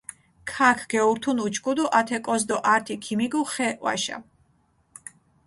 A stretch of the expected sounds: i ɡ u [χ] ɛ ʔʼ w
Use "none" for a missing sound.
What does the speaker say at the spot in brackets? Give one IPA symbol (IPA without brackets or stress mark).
χ